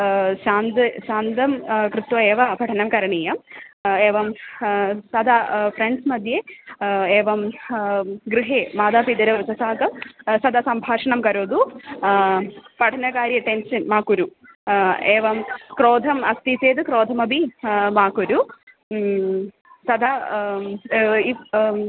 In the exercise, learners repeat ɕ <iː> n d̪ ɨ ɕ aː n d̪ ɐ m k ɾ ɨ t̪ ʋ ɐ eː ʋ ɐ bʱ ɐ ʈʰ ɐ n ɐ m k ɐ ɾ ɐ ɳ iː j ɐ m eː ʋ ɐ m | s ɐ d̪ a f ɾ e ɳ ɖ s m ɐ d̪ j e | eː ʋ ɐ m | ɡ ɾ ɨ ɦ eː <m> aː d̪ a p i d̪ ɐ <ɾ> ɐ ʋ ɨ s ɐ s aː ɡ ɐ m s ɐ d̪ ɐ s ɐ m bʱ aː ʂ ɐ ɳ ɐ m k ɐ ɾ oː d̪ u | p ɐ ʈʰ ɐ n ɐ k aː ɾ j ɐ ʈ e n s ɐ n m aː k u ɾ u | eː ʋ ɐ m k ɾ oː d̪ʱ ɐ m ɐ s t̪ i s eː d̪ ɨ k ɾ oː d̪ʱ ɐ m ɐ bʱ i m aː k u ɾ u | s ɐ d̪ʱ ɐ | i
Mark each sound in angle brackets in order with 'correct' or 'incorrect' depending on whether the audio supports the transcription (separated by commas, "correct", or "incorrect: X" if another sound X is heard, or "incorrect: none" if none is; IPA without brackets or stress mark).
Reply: incorrect: aː, correct, correct